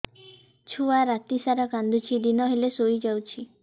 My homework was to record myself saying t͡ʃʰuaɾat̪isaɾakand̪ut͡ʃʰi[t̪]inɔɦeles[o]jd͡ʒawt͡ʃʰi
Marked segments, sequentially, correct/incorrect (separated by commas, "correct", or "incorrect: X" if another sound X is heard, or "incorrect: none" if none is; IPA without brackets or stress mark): incorrect: d̪, correct